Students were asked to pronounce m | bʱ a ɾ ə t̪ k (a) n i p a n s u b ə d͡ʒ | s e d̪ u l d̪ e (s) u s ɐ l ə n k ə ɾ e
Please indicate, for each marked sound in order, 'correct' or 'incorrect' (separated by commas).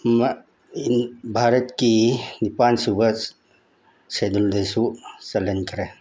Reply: incorrect, correct